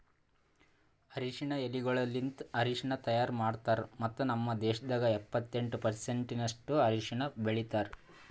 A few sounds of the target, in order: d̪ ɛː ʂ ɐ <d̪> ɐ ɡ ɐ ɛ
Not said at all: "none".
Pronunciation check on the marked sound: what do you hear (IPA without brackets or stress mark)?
d̪